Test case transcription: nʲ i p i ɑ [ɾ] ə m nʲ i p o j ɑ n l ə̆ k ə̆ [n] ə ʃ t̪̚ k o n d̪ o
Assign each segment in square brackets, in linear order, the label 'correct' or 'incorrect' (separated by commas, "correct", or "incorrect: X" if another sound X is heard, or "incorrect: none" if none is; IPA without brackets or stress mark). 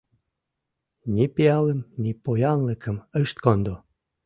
incorrect: l, incorrect: m